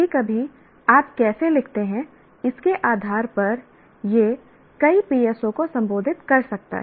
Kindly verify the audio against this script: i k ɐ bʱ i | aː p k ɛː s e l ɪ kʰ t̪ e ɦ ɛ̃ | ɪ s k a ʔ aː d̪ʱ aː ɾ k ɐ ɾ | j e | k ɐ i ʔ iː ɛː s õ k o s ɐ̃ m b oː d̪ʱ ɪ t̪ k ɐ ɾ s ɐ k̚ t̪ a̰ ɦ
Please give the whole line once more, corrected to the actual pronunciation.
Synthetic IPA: i k ɐ bʱ i | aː p k ɛː s e l ɪ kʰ t̪ e ɦ ɛ̃ | ɪ s k e ʔ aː d̪ʱ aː ɾ p ɐ ɾ | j e | k ɐ i p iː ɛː s õ k o s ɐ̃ m b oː d̪ʱ ɪ t̪ k ɐ ɾ s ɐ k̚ t̪ a̰ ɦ